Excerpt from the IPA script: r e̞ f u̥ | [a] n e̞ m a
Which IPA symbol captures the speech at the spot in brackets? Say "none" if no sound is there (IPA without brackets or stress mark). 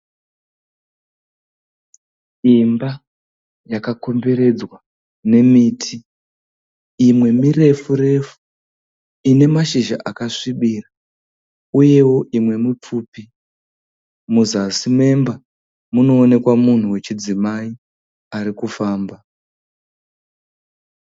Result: i